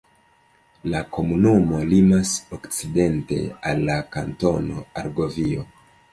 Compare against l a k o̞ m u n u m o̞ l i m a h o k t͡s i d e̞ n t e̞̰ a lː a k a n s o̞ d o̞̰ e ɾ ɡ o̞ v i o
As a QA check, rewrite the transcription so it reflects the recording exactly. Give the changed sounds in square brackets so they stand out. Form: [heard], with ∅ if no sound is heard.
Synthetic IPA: l a k o̞ m u n u m o̞ l i m a [s] o k t͡s i d e̞ n t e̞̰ a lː a k a n [t] o̞ [n] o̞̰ [a] ɾ ɡ o̞ v i o